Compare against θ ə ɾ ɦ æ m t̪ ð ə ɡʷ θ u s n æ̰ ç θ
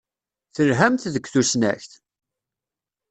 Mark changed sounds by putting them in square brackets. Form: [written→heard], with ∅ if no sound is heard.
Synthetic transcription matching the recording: θ ə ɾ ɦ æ m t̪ ð ə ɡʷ θ u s n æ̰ ç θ